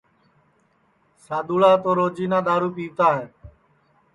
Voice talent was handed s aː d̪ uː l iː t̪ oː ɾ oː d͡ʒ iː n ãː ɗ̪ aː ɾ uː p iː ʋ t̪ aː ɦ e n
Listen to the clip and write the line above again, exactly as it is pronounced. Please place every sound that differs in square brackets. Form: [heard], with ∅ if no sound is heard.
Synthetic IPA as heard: s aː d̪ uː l [aː] t̪ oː ɾ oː d͡ʒ iː n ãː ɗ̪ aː ɾ uː p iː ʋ t̪ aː ɦ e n